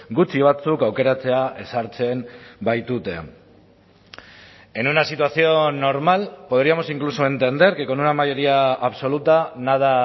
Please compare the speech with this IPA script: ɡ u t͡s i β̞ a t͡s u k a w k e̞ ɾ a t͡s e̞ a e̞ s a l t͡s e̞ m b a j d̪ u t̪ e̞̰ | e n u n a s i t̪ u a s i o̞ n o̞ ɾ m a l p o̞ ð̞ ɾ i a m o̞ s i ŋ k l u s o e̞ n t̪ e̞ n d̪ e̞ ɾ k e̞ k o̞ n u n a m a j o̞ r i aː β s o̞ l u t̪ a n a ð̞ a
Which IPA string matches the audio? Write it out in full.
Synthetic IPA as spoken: ɡ u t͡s i β̞ a t͡s u k a w k e̞ ɾ a t͡s e̞ a e̞ s a ɾ t͡s e̞ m b a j t̪ u t̪ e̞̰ | e n u n a s i t̪ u a s i o̞ n o̞ ɾ m a l p o̞ ð̞ ɾ i a m o̞ s i ŋ k l u s o e̞ n t̪ e̞ n d̪ e̞ ɾ k e̞ k o̞ n u n a m a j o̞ ɾ i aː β s o̞ l u t̪ a n a ð̞ a